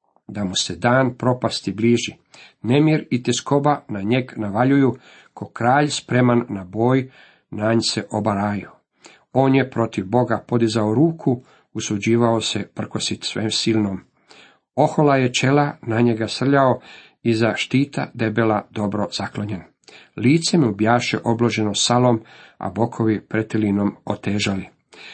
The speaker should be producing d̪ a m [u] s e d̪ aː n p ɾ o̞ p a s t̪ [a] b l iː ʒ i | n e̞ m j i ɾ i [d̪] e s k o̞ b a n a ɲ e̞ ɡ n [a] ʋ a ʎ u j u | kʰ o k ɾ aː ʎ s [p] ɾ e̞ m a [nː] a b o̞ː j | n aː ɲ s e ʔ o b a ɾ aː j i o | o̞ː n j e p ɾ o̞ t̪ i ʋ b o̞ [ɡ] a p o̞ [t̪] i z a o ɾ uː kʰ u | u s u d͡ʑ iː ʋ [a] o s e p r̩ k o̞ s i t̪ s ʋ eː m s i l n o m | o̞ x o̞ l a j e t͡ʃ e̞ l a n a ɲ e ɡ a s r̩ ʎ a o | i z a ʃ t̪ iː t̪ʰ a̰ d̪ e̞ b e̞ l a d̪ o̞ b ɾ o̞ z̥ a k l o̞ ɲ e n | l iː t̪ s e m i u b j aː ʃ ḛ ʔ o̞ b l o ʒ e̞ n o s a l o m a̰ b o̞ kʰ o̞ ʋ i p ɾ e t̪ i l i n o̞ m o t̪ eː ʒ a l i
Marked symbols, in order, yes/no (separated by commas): yes, no, no, yes, yes, yes, yes, no, yes